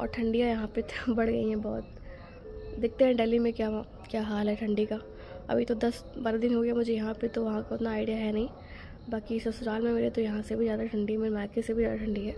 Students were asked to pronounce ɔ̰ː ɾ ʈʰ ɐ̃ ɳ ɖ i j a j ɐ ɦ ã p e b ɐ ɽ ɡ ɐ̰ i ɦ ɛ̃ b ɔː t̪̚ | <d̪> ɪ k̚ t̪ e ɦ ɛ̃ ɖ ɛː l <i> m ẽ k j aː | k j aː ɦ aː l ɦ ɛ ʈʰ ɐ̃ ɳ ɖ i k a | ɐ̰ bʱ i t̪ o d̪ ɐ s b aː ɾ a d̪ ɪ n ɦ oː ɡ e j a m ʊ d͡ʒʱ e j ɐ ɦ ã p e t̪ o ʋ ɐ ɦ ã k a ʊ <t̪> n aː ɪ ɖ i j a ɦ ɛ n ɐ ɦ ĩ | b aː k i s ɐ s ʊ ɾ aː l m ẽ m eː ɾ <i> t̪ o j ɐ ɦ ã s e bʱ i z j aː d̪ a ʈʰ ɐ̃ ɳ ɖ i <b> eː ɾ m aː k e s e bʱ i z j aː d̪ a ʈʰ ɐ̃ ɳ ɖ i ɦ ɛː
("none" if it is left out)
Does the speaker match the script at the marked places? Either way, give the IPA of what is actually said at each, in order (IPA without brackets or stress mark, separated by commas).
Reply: d̪, i, t̪, e, m